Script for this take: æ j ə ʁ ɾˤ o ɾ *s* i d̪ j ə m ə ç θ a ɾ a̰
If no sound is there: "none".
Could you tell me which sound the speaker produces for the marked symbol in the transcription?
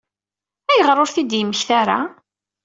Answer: θ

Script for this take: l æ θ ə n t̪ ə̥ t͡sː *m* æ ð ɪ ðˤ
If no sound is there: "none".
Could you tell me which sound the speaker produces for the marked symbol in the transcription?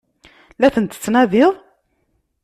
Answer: n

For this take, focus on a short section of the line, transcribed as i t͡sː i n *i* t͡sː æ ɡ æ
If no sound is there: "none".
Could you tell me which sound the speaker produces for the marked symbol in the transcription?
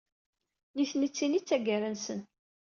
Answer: i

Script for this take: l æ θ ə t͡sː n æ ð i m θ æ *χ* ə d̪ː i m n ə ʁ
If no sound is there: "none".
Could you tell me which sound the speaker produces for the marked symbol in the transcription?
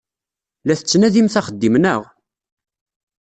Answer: χ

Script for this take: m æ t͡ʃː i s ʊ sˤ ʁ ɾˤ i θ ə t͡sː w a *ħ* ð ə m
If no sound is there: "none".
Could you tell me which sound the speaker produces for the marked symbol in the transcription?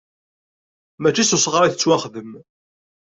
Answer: χ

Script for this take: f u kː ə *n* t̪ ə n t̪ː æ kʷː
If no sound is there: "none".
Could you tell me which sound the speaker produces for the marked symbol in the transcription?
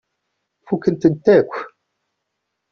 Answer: n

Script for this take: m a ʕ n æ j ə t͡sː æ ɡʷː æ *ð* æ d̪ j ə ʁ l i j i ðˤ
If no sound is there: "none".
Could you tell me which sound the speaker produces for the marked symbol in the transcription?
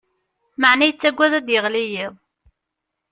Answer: ð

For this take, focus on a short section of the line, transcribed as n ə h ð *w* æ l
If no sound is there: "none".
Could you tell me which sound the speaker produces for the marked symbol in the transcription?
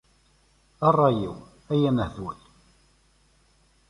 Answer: w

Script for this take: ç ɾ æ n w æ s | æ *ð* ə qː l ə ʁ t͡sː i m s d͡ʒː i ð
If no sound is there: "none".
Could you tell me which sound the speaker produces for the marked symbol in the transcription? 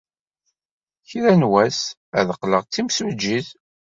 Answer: ð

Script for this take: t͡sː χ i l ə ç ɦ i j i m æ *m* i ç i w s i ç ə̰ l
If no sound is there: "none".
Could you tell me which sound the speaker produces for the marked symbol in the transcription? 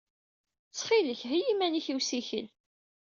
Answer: n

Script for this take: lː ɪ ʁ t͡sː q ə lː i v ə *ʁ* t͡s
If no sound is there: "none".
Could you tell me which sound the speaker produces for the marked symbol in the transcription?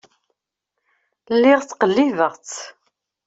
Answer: ʁ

